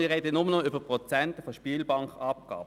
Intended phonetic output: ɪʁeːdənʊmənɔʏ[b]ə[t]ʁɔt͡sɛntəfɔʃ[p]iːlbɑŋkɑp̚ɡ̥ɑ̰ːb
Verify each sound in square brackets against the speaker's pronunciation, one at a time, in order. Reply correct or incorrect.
correct, incorrect, correct

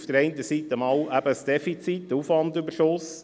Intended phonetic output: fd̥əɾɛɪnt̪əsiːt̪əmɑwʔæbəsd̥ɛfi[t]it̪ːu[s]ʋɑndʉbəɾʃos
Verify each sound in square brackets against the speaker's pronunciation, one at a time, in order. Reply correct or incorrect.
incorrect, incorrect

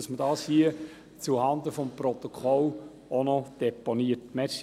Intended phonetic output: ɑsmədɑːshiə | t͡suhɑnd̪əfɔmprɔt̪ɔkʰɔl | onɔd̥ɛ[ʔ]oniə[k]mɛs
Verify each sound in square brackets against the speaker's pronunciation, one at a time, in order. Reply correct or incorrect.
incorrect, incorrect

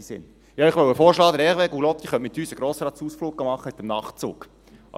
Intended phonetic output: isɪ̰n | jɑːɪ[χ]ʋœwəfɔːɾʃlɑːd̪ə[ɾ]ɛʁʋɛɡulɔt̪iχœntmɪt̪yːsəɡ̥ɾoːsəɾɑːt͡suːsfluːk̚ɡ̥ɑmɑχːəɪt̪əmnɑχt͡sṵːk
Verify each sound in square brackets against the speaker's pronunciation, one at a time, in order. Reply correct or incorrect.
correct, correct

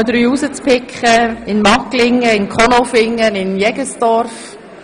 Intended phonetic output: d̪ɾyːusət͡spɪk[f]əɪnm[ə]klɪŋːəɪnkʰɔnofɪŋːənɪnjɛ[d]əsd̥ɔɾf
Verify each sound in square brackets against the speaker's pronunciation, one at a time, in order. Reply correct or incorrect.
incorrect, incorrect, incorrect

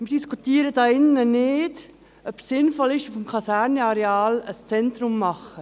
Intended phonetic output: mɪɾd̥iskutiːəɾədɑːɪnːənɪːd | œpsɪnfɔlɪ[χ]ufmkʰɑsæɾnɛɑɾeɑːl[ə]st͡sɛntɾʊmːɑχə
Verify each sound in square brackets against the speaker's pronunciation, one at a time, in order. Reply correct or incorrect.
incorrect, correct

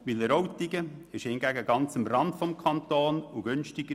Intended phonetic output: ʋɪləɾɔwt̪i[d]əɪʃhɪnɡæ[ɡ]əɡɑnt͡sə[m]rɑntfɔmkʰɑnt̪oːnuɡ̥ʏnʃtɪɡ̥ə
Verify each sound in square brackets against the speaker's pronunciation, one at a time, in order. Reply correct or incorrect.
incorrect, correct, correct

